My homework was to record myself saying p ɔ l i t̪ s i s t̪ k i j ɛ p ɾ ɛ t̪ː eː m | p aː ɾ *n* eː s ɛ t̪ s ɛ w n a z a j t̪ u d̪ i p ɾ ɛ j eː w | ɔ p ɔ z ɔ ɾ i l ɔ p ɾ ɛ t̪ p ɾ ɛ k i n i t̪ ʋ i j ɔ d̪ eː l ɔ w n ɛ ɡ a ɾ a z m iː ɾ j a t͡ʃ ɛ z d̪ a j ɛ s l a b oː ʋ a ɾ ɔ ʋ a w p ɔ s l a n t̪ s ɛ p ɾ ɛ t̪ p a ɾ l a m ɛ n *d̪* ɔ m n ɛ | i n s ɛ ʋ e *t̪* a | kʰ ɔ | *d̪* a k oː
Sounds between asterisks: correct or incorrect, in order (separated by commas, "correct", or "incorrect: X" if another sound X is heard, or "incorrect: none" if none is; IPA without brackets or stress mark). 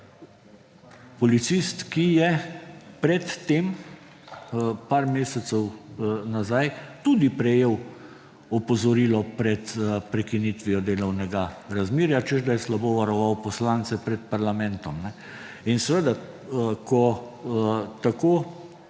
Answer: incorrect: m, incorrect: t̪, incorrect: d̪, incorrect: t̪